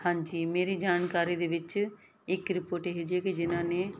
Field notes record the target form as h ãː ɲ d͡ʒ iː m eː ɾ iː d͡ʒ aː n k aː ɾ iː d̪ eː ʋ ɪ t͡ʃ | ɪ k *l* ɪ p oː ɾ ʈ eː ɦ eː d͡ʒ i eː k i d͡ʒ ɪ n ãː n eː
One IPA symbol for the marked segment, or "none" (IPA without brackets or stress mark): ɾ